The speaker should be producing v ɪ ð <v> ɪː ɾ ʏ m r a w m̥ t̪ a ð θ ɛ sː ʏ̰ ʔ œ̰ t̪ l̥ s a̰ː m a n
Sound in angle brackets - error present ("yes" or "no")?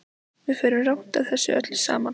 yes